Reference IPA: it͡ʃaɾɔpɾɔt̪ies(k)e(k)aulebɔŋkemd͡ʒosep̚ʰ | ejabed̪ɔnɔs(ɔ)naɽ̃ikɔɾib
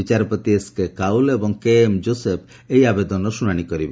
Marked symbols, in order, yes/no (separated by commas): yes, yes, no